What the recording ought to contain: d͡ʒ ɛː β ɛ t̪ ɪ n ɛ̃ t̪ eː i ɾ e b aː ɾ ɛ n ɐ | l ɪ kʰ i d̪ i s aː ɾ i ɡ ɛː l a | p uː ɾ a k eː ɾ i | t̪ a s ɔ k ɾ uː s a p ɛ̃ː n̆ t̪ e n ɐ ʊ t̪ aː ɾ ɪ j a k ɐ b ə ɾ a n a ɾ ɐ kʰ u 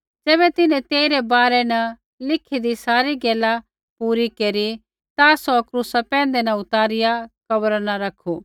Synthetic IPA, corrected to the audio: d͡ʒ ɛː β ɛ t̪ ɪ n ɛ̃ t̪ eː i ɾ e b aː ɾ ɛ n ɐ | l ɪ kʰ i d̪ i s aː ɾ i ɡ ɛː l a | p uː ɾ i k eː ɾ i | t̪ a s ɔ k ɾ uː s a p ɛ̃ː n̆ d̪ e n ɐ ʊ t̪ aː ɾ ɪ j a k ɐ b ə ɾ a n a ɾ ɐ kʰ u